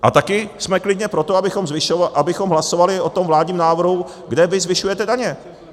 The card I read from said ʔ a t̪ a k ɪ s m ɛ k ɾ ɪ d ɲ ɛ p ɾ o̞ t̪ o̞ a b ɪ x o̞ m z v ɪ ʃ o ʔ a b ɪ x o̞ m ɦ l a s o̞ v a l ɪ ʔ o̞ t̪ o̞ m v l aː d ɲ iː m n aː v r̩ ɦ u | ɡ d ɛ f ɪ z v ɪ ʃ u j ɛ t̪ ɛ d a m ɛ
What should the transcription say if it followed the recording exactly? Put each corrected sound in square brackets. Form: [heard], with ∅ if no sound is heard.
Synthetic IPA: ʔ a t̪ a k ɪ s m ɛ k [l] ɪ d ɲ ɛ p ɾ o̞ t̪ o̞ a b ɪ x o̞ m z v ɪ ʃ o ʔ a b ɪ x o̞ m ɦ l a s o̞ v a l ɪ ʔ o̞ t̪ o̞ m v l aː d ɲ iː m n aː v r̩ ɦ u | ɡ d ɛ [v] ɪ z v ɪ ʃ u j ɛ t̪ ɛ d a [ɲ] ɛ